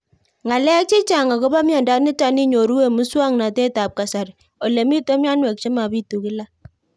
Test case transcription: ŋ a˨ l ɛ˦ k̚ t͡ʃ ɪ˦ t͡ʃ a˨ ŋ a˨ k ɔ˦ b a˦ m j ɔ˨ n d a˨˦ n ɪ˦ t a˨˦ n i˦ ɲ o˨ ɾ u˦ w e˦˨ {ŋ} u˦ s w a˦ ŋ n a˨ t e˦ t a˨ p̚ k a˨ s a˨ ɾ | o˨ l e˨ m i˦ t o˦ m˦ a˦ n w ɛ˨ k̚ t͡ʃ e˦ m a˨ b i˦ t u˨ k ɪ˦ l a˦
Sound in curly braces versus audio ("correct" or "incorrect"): incorrect